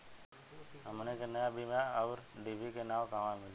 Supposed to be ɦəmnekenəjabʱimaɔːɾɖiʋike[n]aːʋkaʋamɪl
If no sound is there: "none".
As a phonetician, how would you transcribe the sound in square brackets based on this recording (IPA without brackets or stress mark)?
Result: n